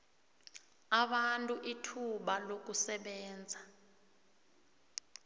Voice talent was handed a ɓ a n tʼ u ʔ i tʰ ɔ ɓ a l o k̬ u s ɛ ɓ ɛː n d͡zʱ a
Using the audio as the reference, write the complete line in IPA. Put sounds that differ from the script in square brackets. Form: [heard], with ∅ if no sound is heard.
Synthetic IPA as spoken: a ɓ a n tʼ u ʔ i tʰ [u] ɓ a l o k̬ u s ɛ ɓ ɛː n d͡zʱ a